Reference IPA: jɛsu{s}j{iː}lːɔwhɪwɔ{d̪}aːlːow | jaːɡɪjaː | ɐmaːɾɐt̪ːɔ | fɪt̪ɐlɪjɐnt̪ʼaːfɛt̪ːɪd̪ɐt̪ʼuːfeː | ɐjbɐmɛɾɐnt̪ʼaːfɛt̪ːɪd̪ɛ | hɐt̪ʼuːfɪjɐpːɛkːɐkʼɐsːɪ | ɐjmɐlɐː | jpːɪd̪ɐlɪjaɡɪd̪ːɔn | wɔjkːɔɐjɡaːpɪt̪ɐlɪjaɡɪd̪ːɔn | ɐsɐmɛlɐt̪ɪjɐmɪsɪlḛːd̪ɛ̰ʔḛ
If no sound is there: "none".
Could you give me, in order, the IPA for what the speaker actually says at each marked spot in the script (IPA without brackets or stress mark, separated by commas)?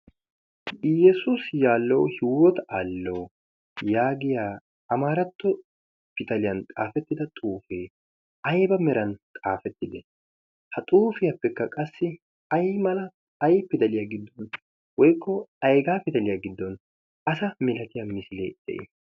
s, aː, t̪